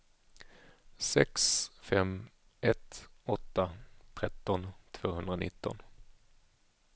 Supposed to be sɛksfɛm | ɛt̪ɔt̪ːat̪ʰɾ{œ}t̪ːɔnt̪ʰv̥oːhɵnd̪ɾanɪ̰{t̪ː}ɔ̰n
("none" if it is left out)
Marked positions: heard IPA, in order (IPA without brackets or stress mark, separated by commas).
ɛ, t̪ː